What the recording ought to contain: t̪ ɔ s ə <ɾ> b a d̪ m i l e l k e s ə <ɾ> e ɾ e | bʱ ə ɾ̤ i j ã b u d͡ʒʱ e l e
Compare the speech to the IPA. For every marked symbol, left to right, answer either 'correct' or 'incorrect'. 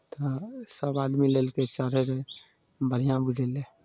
incorrect, correct

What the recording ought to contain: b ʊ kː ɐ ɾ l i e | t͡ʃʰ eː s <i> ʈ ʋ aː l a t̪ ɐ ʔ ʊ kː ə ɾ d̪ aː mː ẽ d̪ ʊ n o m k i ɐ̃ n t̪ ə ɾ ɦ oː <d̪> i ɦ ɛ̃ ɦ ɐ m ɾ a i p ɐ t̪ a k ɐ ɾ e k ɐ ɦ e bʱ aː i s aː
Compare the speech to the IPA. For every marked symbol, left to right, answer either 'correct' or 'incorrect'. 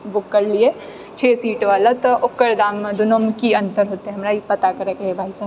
incorrect, incorrect

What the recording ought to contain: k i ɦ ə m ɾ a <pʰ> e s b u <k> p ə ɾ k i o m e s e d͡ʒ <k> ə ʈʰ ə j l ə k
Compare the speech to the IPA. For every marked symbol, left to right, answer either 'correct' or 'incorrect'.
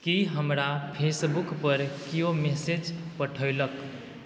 correct, correct, incorrect

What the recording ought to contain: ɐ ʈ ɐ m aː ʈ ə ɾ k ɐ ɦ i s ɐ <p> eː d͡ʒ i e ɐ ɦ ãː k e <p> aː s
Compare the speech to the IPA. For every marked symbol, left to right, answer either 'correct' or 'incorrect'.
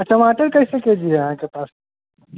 incorrect, correct

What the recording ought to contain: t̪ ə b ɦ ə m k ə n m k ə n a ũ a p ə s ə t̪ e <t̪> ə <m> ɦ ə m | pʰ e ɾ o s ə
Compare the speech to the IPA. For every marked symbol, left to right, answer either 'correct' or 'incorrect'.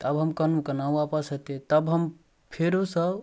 correct, incorrect

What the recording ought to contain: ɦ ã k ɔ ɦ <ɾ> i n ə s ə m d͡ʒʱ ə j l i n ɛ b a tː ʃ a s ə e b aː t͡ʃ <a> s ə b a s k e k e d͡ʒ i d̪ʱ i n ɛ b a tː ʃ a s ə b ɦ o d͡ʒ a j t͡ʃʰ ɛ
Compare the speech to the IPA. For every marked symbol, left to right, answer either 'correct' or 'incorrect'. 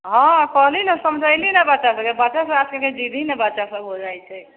incorrect, correct

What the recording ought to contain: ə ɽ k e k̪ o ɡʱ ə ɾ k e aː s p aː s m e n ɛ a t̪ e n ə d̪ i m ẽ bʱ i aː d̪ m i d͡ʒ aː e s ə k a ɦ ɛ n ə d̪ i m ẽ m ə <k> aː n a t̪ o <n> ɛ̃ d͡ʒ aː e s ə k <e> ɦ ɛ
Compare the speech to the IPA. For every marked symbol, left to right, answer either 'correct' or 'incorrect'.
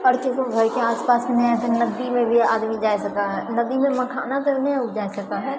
incorrect, correct, incorrect

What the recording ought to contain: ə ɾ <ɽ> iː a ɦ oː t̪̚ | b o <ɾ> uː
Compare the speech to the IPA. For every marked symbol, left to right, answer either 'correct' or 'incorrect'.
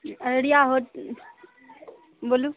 correct, incorrect

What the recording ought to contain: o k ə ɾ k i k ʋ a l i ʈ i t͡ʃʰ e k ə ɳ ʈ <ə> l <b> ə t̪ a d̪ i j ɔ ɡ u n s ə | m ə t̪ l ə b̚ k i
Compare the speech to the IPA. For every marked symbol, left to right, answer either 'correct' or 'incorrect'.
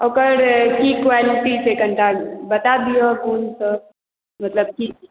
incorrect, correct

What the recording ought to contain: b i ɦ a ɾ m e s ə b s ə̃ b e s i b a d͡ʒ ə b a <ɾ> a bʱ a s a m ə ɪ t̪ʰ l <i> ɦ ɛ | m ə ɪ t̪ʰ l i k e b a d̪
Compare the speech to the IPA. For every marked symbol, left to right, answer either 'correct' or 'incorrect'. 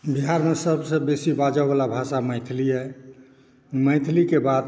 incorrect, correct

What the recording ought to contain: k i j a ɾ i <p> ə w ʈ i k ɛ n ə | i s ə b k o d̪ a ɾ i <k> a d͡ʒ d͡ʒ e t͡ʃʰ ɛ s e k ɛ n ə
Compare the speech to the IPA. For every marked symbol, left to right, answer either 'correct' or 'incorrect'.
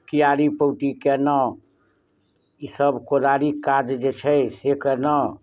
correct, correct

